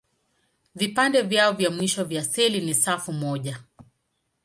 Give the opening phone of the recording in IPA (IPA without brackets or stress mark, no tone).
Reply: v